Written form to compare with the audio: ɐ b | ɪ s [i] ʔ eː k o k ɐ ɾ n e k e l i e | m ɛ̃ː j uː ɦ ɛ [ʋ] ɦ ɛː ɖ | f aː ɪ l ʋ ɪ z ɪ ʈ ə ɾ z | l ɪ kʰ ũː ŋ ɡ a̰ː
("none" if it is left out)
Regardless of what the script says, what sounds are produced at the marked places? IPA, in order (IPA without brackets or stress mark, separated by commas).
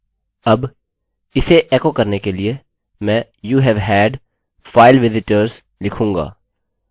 e, ʋ